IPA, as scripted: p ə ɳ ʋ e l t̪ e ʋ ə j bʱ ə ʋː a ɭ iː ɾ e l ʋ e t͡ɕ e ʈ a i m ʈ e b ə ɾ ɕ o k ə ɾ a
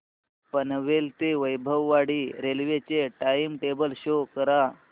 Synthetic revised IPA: p ə n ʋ e l t̪ e ʋ ə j bʱ ə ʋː a ɽ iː ɾ e l ʋ e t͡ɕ e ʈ a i m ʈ e b ə l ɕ o k ə ɾ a